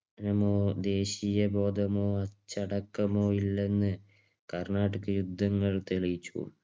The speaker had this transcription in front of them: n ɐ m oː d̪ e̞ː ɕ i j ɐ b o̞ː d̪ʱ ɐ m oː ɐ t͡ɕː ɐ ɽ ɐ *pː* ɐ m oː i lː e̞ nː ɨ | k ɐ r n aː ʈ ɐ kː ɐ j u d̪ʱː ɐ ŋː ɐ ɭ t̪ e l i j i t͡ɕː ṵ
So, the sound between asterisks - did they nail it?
no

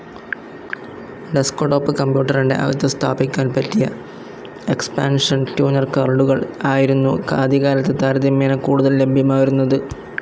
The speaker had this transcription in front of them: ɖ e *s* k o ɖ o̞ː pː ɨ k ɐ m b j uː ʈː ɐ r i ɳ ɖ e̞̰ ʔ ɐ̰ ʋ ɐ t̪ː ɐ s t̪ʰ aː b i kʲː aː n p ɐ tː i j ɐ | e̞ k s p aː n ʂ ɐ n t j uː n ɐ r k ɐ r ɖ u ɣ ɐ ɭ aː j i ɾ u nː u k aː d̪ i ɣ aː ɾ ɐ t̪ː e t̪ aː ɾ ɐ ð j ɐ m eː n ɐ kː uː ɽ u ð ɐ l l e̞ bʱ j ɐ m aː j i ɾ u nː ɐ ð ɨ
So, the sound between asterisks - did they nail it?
yes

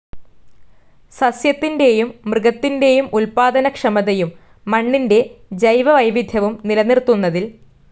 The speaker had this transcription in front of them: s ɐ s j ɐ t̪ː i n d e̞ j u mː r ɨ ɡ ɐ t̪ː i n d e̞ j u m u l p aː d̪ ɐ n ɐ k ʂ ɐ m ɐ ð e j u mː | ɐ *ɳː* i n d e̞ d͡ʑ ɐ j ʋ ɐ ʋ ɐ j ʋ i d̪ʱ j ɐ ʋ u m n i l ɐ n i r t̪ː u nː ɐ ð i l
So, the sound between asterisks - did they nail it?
yes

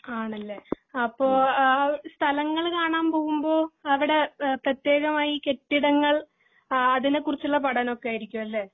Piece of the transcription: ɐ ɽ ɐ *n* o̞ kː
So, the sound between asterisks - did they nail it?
yes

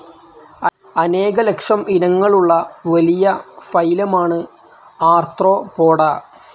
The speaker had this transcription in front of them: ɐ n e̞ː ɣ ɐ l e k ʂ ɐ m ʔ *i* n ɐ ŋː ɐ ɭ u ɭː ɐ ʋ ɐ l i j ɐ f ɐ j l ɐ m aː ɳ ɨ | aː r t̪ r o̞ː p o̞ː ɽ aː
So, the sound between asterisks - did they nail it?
yes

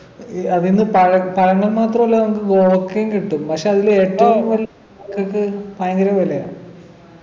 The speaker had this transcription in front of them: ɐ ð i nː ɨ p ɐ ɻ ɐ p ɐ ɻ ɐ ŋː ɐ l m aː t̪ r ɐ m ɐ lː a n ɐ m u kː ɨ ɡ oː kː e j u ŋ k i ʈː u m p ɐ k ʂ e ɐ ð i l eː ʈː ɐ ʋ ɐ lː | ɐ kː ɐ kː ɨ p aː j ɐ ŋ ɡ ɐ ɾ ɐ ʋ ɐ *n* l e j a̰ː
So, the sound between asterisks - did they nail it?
no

